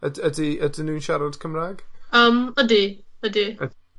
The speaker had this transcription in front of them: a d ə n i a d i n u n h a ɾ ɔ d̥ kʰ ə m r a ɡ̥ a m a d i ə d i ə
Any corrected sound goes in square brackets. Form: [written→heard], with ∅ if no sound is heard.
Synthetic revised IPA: [a→ə] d ə [n→d] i [a→ə] d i n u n [h→ʃ] a ɾ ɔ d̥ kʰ ə m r a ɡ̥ [a→ə] m [a→ə] d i ə d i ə